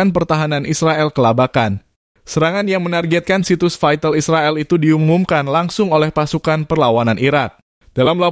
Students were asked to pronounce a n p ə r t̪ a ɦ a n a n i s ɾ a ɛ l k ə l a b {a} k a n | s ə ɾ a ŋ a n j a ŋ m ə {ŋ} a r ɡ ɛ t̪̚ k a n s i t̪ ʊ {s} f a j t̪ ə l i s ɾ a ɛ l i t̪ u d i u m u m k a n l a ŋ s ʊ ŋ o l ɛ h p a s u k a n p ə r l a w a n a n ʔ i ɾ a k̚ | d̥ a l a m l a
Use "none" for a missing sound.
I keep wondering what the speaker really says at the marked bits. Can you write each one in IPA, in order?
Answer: a, n, s

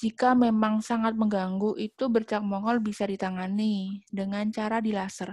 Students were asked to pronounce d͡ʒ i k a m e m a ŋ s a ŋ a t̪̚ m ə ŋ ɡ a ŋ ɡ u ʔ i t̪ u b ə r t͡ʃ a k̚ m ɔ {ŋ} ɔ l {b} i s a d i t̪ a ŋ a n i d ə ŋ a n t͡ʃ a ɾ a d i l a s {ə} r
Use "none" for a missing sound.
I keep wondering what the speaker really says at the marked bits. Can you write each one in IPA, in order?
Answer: ŋ, b, ə

